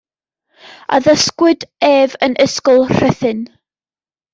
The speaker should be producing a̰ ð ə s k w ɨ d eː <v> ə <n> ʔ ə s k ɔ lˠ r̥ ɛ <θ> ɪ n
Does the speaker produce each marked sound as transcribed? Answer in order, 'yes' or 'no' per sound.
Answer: yes, yes, yes

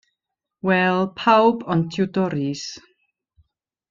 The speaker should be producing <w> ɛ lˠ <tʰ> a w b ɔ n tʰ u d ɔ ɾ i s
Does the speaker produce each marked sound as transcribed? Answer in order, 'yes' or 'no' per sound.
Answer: yes, no

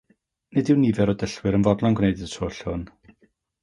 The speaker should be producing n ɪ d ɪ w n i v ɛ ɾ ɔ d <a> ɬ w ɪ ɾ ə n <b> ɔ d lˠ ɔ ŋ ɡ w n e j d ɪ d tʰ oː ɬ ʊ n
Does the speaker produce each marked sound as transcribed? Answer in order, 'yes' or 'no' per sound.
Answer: no, no

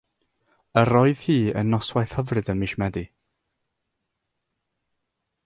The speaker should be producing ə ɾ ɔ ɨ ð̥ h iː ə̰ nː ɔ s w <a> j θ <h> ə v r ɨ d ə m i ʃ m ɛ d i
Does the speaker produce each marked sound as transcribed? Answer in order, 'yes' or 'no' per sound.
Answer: yes, yes

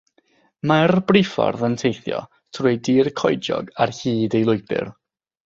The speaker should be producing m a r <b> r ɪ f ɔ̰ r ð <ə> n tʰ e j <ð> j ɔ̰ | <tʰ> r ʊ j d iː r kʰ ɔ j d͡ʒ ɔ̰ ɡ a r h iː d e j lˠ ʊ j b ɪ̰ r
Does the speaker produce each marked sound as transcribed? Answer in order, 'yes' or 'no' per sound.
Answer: yes, yes, no, yes

